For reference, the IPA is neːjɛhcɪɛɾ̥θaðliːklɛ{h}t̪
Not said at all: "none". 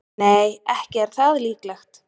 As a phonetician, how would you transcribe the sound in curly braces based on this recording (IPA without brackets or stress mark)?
x